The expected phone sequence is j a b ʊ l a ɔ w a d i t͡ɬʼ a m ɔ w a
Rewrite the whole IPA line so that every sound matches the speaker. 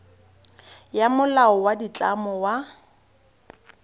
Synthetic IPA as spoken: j a m ʊ l a ɔ w a d i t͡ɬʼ a m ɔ w a